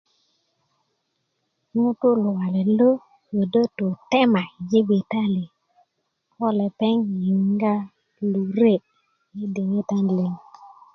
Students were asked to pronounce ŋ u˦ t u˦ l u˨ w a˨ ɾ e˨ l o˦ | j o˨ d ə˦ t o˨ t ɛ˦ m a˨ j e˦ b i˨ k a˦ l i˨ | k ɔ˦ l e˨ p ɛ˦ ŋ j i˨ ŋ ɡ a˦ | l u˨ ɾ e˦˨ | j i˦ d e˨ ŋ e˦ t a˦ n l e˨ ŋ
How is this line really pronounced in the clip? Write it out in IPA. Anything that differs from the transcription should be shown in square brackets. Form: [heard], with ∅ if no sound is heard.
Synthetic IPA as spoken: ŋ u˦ t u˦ l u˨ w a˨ [l] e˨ l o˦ | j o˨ d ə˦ t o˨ t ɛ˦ m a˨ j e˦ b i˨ [t] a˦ l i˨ | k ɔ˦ l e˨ p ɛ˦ ŋ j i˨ ŋ ɡ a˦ | l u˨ ɾ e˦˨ | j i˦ d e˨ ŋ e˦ t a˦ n l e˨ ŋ